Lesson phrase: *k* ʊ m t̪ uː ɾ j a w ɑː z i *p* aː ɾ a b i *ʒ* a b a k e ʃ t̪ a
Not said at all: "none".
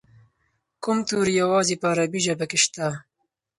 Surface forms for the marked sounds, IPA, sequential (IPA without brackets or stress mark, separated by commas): k, p, ʒ